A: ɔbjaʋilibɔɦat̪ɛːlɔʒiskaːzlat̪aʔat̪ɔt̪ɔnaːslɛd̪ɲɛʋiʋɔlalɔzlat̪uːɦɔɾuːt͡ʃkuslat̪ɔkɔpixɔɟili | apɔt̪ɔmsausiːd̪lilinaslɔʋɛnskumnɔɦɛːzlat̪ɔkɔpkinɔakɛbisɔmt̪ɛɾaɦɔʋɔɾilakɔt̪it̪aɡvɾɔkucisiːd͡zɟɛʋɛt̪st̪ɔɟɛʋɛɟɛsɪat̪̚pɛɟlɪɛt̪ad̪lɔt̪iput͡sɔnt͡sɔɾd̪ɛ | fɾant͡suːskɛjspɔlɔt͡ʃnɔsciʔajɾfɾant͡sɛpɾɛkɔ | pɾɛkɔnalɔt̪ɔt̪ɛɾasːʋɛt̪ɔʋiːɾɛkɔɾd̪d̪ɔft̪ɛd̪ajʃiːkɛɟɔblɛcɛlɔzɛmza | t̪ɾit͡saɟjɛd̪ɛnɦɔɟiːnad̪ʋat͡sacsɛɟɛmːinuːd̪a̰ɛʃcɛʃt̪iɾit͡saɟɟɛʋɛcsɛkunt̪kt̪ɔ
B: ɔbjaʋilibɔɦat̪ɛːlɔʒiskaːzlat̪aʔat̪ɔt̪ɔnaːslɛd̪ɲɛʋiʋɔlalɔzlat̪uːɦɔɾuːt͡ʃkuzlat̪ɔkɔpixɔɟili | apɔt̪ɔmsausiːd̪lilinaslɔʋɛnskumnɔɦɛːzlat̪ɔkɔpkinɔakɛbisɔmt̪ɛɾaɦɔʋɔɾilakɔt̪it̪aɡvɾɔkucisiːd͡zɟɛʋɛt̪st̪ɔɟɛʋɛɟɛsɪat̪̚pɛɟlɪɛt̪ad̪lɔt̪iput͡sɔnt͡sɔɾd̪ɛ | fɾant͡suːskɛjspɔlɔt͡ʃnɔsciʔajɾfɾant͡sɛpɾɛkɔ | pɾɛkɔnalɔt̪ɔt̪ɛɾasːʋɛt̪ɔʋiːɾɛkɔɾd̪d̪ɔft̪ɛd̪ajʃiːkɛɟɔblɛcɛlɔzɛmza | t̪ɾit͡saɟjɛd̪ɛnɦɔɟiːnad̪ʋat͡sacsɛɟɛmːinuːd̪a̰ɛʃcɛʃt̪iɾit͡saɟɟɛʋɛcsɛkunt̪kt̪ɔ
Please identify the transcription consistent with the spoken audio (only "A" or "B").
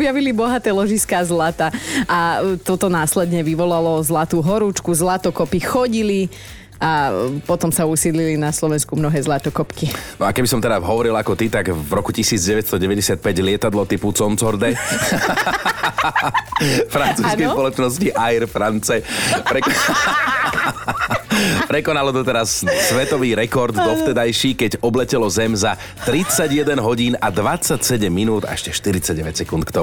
B